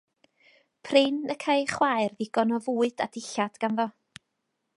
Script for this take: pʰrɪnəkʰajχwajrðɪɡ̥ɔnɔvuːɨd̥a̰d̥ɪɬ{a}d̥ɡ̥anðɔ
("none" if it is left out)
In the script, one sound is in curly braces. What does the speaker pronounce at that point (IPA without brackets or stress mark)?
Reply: a